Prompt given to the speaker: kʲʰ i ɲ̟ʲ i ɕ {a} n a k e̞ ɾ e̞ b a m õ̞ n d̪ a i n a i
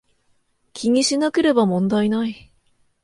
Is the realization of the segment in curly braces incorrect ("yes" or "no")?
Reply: yes